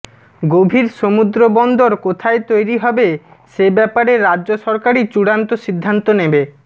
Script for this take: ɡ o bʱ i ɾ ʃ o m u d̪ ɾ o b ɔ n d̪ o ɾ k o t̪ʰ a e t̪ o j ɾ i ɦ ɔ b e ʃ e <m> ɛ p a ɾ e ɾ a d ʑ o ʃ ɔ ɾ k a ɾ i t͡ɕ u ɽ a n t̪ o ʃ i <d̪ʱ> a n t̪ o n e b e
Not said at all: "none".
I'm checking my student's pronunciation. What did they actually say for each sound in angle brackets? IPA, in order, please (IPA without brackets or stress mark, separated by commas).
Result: b, d̪ʱː